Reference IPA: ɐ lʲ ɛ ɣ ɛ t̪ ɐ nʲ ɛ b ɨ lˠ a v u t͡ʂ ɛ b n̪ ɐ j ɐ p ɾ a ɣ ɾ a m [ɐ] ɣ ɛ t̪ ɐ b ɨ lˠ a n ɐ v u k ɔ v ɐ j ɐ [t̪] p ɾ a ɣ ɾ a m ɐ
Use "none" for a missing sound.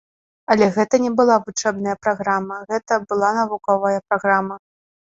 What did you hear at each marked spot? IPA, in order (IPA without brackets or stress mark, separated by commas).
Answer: ɐ, none